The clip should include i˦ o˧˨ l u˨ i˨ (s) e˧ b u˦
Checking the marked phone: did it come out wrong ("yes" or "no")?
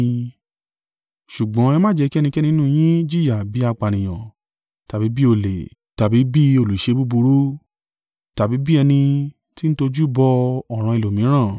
yes